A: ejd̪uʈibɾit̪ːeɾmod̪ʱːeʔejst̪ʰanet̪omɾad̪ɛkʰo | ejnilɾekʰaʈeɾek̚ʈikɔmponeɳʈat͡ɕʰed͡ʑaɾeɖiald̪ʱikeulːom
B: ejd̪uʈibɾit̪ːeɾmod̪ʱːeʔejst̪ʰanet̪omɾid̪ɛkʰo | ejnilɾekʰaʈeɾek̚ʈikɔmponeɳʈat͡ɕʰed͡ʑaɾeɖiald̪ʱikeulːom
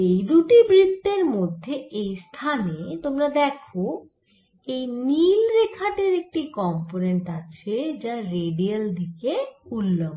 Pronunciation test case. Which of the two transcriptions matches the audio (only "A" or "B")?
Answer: A